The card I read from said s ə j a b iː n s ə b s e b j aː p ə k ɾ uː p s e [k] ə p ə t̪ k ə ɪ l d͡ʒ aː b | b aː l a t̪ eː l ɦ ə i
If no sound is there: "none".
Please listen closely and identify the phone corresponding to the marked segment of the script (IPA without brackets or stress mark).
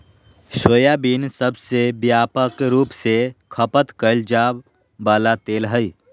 kʰ